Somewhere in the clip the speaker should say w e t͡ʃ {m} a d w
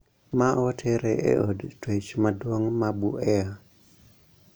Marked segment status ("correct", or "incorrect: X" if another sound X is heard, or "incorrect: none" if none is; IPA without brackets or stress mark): correct